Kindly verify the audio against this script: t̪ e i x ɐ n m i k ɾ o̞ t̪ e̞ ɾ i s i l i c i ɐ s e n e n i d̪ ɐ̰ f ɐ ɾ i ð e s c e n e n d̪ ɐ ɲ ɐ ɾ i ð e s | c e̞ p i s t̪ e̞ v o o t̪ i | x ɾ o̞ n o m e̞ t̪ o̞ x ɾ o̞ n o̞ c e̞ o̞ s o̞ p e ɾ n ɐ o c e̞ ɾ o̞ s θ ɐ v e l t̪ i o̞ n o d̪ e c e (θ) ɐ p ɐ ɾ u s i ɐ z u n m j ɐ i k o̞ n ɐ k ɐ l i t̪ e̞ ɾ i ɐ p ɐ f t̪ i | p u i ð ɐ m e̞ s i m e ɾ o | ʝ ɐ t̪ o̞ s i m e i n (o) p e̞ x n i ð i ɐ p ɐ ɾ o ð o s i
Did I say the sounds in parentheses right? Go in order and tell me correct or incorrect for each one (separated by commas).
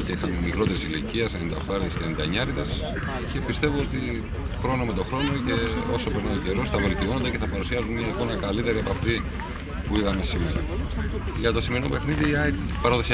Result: correct, correct